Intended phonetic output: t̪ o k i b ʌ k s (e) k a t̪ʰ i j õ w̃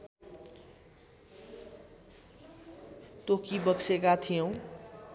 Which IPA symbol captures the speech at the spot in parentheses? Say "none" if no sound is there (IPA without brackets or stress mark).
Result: e